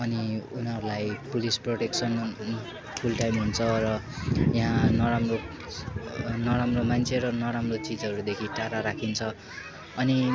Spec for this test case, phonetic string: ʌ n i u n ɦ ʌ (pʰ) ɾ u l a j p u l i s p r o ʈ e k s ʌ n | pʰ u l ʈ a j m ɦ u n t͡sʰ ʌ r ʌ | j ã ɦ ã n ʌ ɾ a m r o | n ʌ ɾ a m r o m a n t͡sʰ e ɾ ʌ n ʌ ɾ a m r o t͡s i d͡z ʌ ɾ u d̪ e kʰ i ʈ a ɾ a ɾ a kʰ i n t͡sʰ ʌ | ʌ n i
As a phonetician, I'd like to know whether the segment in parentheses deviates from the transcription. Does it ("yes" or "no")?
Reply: yes